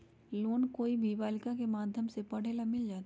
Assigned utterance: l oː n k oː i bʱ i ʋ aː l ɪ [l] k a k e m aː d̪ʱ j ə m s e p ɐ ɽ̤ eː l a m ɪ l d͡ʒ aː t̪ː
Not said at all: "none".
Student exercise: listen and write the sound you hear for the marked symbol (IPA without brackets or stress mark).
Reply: none